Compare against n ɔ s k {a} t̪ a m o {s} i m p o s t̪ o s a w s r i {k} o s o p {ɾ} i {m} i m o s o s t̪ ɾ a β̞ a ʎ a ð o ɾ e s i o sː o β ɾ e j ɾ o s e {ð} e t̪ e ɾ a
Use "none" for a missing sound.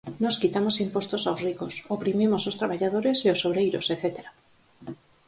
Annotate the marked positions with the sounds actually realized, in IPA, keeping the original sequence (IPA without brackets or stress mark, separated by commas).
i, s, k, ɾ, m, θ